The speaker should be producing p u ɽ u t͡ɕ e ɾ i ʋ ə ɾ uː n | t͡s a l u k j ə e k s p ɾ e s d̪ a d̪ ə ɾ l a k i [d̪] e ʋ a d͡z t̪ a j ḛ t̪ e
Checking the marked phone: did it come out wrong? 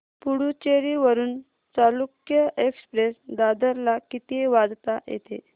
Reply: yes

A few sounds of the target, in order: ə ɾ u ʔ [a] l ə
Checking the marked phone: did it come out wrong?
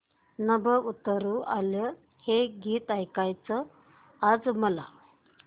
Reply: no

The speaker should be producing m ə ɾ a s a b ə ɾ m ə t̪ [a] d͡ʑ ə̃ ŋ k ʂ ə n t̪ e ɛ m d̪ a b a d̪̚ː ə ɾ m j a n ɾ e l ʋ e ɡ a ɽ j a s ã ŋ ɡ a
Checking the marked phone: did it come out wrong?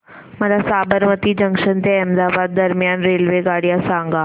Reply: yes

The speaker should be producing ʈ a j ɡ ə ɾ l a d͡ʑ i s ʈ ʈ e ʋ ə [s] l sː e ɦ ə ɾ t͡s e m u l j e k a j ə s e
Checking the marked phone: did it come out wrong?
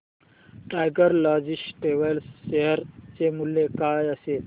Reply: yes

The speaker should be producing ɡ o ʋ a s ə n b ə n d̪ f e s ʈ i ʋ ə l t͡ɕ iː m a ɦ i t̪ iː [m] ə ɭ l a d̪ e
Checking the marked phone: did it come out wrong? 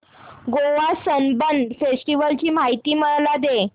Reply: no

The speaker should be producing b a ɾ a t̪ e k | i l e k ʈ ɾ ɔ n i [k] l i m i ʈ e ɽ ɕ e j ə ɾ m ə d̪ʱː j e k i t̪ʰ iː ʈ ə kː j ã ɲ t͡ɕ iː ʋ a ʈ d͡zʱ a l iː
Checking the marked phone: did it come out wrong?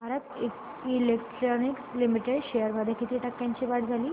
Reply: no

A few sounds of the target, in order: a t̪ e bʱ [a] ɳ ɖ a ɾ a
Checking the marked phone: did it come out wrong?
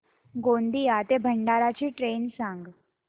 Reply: yes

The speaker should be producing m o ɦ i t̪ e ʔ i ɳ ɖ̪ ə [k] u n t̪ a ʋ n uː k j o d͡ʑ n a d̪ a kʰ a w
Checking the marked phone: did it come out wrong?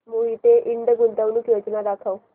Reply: yes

